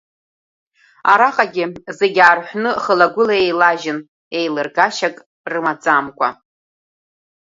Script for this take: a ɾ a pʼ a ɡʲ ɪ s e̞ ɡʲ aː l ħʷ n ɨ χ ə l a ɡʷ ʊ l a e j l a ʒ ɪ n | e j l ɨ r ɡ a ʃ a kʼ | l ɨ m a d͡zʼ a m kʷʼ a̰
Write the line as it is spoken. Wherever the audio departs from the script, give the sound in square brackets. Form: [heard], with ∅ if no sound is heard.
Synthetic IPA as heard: a ɾ a [qʼ] a ɡʲ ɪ [z] e̞ ɡʲ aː [r] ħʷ n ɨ χ ə l a ɡʷ ʊ l a e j l a ʒ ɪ n | e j l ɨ r ɡ a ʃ a kʼ | [r] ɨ m a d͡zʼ a m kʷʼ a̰